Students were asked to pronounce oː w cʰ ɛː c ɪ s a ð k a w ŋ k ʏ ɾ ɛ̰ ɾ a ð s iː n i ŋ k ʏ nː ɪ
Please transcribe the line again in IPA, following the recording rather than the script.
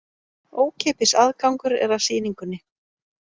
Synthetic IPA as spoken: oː w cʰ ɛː p ɪ s a ð k a w ŋ k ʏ ɾ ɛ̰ ɾ a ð s iː n i ŋ k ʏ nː ɪ